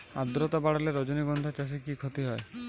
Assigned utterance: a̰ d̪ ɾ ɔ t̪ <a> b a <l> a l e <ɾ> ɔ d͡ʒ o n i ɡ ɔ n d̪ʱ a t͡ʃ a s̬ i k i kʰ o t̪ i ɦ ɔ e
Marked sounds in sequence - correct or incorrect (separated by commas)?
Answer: correct, incorrect, correct